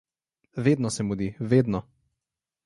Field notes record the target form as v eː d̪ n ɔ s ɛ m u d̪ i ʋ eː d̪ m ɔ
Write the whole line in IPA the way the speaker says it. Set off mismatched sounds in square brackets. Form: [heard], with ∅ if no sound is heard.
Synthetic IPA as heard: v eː d̪ n ɔ s ɛ m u d̪ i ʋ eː d̪ [n] ɔ